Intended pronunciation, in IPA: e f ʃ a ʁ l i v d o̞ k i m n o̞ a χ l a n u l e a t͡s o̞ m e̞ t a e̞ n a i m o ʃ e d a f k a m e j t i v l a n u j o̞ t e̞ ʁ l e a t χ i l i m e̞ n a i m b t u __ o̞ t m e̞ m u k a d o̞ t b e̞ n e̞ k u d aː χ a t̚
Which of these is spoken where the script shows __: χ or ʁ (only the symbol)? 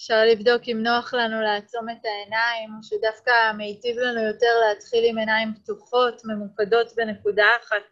χ